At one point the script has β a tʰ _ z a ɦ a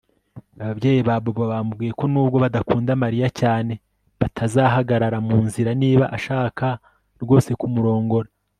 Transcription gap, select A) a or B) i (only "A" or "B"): A